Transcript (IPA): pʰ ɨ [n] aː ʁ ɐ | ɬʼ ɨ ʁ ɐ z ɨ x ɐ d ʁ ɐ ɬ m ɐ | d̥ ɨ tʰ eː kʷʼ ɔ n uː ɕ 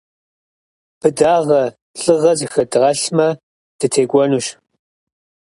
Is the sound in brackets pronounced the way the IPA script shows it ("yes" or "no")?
no